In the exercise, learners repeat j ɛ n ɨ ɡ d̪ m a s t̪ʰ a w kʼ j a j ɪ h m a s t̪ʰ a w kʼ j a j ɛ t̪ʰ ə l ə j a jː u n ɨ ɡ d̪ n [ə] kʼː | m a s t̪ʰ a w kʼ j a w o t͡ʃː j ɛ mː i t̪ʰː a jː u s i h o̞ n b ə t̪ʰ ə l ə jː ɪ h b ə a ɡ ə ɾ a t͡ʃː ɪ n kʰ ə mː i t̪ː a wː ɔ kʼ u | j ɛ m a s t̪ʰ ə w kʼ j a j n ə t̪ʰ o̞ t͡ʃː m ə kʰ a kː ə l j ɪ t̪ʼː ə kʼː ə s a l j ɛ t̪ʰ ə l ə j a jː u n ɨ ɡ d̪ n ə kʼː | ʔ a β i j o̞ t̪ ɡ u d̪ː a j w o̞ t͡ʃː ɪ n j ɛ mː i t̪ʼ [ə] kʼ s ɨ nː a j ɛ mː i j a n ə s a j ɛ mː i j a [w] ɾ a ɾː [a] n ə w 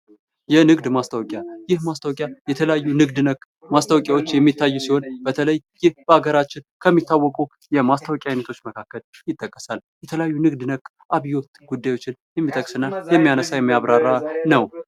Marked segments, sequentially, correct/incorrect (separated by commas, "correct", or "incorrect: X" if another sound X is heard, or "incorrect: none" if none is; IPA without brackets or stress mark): correct, correct, incorrect: β, correct